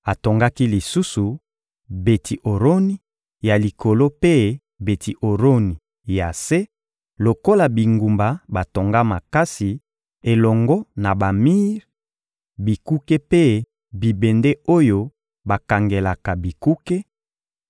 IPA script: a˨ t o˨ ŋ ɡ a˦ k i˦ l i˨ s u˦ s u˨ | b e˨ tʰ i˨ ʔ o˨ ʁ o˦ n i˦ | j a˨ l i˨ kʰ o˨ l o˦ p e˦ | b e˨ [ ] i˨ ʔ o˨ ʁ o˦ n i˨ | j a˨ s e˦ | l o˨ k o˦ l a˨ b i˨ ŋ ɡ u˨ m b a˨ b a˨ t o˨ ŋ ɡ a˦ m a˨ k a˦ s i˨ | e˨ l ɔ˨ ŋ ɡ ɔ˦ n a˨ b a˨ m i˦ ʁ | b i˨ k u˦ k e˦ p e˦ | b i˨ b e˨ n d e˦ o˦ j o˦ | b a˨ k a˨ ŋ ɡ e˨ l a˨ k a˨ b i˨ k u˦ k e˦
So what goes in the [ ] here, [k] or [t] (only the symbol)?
t